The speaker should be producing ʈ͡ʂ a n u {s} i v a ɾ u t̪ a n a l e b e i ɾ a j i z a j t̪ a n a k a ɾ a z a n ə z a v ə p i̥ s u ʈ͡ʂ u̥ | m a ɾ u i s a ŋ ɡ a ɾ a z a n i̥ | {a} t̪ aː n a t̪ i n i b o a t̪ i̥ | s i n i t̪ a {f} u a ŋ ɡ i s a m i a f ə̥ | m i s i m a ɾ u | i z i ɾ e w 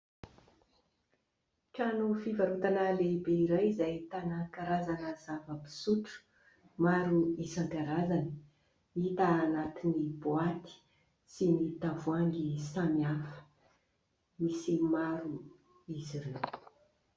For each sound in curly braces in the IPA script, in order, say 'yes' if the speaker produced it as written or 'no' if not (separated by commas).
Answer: no, no, no